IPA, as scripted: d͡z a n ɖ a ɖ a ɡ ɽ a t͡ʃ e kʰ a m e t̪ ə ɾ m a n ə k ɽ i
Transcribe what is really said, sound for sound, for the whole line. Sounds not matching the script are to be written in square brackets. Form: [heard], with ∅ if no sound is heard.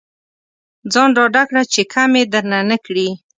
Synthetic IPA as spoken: d͡z [ɑ] n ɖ [ɑ] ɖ a [k] ɽ a t͡ʃ e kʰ a m e [d̪] ə ɾ [n] a n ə k ɽ i